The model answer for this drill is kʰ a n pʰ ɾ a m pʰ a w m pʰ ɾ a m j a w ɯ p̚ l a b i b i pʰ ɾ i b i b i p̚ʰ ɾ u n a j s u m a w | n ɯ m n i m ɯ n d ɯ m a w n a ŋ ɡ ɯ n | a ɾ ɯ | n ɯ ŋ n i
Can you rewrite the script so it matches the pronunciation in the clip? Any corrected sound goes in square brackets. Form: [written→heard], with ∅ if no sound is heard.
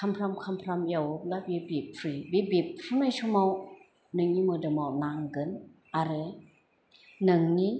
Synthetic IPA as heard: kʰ a [n→m] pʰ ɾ a m [pʰ→kʰ] a [w→∅] m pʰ ɾ a m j a w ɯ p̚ l a b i b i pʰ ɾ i b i b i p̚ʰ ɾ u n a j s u m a w | n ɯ [m→ŋ] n i m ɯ [n→∅] d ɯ m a w n a ŋ ɡ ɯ n | a ɾ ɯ | n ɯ ŋ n i